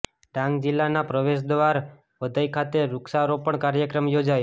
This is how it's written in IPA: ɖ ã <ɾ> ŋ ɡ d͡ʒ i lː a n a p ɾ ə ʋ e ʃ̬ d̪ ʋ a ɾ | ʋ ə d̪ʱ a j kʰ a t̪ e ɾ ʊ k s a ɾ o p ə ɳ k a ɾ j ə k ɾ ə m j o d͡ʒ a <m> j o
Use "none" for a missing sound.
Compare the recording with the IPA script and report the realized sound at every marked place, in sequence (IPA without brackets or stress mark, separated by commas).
none, none